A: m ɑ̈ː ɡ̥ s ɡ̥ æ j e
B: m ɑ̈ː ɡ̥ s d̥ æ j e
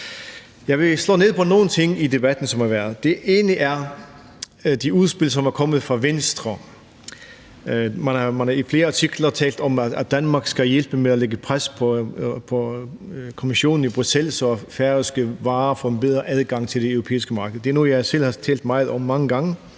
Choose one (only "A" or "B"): A